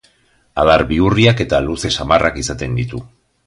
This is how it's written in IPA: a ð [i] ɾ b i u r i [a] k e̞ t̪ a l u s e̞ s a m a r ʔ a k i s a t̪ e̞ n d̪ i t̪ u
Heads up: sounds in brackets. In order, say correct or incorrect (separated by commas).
incorrect, correct